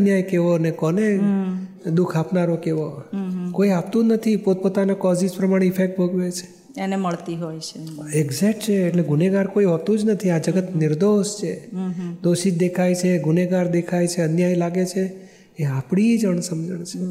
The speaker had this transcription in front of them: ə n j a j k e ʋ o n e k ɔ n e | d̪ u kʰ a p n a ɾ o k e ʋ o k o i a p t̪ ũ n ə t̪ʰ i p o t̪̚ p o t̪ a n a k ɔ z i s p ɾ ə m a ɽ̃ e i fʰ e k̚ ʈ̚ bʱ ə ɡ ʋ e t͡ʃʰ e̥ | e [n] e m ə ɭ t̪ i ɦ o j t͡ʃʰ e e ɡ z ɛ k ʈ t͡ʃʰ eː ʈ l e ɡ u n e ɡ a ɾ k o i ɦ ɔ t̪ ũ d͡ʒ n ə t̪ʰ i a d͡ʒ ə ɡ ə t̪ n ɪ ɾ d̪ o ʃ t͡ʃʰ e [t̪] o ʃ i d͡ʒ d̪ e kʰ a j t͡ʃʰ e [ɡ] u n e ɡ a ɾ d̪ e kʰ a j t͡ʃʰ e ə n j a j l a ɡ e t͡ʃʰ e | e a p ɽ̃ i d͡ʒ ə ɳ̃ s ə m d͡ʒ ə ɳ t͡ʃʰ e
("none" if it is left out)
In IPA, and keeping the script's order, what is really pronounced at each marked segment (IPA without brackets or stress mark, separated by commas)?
n, d̪, ɡ